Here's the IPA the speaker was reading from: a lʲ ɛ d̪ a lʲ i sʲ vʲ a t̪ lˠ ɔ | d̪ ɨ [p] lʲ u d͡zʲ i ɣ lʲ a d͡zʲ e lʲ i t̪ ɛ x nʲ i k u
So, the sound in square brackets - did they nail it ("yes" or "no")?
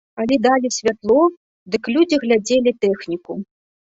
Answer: no